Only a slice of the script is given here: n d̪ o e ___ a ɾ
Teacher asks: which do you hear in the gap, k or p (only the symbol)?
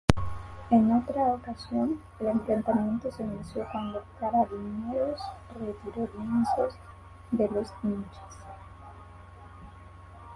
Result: k